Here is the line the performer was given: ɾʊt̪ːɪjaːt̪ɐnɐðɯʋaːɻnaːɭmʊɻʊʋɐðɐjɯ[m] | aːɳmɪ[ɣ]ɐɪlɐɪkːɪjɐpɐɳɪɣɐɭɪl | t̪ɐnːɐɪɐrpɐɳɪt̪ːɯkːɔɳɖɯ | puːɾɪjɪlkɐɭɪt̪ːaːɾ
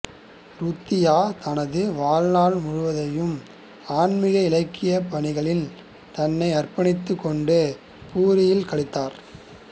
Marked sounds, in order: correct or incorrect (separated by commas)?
correct, correct